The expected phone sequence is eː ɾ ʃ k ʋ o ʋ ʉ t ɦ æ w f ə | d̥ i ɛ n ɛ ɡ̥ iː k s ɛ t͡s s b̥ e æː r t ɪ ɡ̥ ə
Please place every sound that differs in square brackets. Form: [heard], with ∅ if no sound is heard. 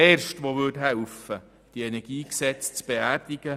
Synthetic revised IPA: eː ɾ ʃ [t] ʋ o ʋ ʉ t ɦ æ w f ə | d̥ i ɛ n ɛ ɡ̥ iː k s ɛ t͡s [t͡s] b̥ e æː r [d] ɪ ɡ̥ ə